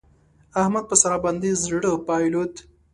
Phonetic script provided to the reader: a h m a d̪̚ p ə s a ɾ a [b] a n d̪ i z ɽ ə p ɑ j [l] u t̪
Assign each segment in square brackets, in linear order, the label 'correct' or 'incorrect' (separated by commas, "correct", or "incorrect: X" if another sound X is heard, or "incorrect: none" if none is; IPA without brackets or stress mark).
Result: correct, correct